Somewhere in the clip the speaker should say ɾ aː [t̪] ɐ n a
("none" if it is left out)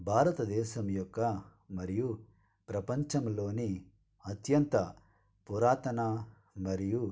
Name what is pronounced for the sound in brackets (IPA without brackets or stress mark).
t̪